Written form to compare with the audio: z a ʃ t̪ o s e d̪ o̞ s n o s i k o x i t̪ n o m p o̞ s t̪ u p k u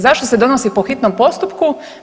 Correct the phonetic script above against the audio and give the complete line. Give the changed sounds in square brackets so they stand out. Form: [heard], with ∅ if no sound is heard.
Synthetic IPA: z a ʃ t̪ o s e d̪ o̞ [∅] n o s i [p] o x i t̪ n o m p o̞ s t̪ u p k u